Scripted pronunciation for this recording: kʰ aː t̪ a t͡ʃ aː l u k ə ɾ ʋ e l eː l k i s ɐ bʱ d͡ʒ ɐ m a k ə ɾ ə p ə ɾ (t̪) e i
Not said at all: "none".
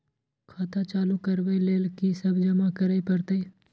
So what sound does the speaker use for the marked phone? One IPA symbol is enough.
t̪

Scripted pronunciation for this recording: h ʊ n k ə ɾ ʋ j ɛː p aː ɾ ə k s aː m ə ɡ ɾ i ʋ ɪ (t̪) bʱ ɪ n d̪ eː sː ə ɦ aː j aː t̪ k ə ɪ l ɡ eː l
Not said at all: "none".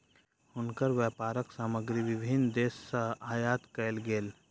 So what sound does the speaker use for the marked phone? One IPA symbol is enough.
none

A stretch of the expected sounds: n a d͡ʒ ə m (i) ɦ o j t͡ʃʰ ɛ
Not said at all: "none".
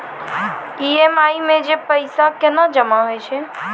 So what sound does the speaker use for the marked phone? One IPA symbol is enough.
a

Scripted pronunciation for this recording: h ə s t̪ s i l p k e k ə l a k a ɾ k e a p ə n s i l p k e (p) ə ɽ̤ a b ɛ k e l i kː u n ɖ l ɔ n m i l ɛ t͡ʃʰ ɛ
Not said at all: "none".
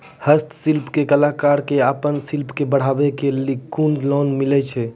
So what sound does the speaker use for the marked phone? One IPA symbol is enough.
b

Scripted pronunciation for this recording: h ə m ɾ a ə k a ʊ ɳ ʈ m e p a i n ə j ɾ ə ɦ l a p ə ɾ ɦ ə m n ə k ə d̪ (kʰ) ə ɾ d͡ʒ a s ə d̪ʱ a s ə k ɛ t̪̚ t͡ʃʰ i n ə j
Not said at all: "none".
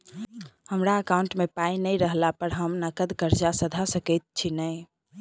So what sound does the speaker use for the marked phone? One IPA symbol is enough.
k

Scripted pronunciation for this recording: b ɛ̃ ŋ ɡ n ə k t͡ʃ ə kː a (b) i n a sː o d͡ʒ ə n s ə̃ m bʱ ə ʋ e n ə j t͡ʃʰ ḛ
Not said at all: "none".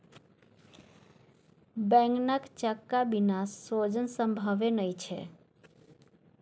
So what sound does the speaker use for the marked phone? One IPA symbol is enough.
b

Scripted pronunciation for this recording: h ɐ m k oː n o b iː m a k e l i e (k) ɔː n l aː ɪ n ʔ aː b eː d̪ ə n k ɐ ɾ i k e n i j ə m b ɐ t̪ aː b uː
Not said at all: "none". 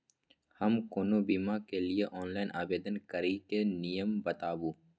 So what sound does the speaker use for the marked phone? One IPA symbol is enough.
ʔ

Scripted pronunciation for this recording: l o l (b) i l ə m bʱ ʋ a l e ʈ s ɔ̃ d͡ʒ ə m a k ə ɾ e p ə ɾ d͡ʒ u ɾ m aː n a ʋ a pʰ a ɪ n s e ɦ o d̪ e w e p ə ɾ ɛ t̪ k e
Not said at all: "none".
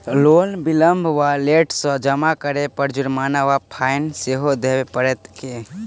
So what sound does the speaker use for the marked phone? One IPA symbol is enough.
b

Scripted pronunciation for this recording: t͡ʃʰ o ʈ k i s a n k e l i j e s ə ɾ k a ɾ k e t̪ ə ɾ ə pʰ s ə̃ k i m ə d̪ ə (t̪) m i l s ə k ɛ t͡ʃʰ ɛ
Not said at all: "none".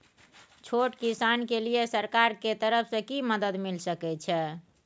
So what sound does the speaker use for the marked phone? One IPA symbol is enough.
d̪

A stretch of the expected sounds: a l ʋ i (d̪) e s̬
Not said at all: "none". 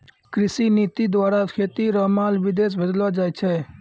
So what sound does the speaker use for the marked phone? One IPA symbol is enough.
d̪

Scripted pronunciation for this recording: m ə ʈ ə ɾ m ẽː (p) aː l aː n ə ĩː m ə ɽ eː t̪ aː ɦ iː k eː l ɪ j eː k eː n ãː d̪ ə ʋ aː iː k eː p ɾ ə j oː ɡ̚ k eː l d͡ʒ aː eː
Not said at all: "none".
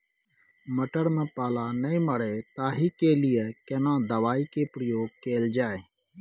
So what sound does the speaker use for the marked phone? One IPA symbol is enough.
p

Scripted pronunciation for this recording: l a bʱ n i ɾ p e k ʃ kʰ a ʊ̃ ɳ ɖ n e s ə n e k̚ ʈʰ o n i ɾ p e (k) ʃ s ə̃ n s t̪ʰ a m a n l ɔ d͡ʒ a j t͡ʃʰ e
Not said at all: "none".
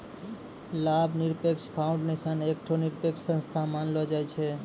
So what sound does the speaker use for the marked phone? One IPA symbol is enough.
k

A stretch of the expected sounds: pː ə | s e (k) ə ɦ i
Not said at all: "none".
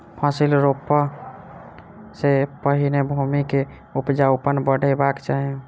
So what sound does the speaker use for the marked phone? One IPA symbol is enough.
p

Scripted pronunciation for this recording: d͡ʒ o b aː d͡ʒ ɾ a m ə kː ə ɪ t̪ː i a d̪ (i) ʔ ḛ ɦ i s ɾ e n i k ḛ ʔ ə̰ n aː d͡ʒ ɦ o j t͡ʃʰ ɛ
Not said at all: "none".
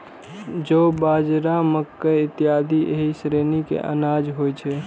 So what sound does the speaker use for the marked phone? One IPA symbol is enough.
i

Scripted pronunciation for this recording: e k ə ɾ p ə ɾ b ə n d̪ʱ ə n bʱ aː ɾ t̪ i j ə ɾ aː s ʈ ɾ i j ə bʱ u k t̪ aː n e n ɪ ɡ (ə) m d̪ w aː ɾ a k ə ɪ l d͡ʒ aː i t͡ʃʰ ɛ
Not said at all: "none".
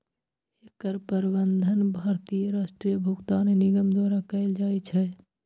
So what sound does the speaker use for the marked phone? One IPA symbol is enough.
ə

